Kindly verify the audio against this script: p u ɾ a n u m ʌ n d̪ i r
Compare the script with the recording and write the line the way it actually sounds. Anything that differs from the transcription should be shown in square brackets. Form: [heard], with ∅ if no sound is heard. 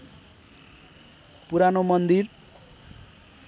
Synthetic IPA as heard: p u ɾ a n [o] m ʌ n d̪ i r